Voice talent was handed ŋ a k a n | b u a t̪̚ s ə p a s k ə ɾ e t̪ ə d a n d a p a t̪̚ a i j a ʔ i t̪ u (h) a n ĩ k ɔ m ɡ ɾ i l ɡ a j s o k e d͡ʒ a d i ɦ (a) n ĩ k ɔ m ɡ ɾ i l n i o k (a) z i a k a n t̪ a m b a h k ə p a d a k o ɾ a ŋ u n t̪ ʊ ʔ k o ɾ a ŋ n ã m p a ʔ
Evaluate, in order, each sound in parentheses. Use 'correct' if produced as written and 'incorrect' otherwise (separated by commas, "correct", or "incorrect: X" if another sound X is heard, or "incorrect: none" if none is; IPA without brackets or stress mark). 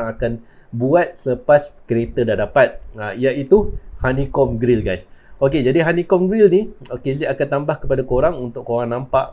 correct, correct, incorrect: e